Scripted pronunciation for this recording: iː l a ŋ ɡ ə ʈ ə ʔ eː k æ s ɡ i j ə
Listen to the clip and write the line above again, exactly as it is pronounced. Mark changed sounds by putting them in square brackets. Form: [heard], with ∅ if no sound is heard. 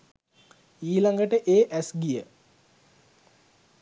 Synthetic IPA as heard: iː l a ŋ ɡ ə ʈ ə ʔ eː [ʔ] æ s ɡ i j ə